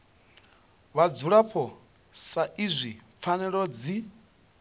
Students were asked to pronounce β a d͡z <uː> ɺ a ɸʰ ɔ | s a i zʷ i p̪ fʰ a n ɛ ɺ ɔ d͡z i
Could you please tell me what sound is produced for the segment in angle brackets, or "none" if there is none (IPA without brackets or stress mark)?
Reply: u